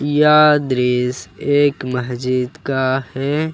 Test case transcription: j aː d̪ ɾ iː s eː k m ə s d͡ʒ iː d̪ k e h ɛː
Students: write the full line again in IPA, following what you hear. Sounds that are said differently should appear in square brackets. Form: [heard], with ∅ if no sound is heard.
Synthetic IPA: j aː d̪ ɾ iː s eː k m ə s d͡ʒ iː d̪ k [a] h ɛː